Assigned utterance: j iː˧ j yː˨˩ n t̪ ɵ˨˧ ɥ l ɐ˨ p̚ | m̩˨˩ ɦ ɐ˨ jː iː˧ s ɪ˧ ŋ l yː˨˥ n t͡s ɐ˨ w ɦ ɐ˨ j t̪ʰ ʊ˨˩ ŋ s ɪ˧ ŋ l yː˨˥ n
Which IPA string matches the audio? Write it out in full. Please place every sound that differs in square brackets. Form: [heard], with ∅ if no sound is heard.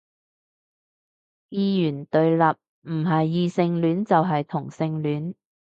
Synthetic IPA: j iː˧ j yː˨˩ n t̪ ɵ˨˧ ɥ l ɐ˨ p̚ | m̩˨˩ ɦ ɐ˨ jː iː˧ s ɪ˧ ŋ l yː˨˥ n t͡s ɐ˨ w ɦ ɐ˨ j t̪ʰ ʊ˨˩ ŋ s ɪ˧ ŋ l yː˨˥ n